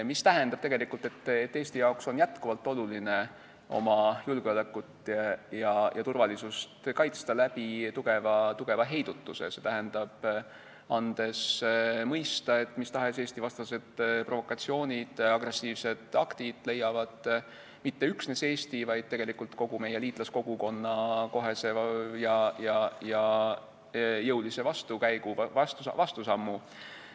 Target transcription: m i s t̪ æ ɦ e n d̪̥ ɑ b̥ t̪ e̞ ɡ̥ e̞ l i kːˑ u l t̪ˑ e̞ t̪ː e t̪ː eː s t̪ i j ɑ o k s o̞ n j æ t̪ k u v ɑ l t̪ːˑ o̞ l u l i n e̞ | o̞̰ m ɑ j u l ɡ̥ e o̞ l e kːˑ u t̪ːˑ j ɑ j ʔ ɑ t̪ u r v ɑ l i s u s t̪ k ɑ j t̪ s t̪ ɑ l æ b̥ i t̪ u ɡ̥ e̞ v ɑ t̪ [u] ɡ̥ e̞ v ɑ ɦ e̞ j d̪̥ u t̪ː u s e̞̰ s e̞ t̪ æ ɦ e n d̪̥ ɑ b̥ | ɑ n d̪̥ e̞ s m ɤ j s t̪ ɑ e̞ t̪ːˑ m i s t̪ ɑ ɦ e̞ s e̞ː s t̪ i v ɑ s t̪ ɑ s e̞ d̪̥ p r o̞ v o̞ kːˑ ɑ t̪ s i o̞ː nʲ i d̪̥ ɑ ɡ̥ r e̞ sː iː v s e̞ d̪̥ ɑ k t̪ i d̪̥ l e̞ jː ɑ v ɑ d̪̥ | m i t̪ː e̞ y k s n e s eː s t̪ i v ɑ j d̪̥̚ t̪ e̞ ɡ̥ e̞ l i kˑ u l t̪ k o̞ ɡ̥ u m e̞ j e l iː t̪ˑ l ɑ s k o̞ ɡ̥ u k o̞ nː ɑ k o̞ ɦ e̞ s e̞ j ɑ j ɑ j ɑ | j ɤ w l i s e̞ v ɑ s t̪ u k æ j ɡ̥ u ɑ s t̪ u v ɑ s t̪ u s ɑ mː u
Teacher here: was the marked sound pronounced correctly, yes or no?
yes